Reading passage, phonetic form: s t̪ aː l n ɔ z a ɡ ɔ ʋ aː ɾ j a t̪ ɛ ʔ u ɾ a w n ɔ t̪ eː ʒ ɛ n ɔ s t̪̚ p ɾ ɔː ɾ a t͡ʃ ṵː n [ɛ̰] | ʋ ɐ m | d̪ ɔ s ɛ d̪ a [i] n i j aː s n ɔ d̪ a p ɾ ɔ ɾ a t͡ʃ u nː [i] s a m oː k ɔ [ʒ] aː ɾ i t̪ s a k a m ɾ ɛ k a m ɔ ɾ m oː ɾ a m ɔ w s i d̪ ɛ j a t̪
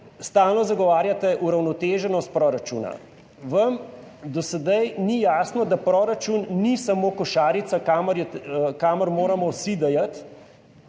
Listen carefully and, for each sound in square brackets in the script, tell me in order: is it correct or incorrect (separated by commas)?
incorrect, incorrect, correct, incorrect